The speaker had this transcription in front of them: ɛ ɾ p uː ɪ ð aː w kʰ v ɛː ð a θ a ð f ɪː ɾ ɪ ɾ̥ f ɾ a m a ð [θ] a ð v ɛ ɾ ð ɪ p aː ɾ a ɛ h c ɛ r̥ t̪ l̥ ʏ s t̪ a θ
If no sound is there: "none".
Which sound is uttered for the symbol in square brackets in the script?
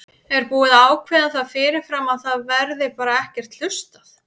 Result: θ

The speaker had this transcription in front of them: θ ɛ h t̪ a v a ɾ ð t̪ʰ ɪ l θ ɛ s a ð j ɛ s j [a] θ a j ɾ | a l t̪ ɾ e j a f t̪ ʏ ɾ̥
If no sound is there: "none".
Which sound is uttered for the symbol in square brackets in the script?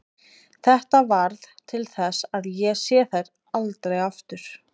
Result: ɛ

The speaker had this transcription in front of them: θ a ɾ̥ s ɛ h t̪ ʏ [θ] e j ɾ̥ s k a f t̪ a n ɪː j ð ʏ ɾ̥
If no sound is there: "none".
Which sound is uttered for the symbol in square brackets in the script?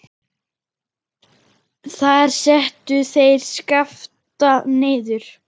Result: θ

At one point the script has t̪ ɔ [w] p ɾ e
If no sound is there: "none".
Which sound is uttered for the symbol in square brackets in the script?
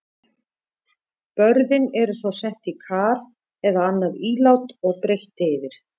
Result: ɣ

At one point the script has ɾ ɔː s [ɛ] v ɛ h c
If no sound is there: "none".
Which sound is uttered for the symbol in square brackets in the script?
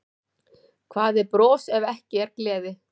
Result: ɛ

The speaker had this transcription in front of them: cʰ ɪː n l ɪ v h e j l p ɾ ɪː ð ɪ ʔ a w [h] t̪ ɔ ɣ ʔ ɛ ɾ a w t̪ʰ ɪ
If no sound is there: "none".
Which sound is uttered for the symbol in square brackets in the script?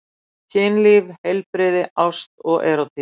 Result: s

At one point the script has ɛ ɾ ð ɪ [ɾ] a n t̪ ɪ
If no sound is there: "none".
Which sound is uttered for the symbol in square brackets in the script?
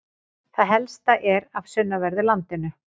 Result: l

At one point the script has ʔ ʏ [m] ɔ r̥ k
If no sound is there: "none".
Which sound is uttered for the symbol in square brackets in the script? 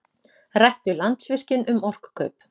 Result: m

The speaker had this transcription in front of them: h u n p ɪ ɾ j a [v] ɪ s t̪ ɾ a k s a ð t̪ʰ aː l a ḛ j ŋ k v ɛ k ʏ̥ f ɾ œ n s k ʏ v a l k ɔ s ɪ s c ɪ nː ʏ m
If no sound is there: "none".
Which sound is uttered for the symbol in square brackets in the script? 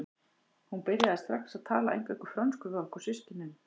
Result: ð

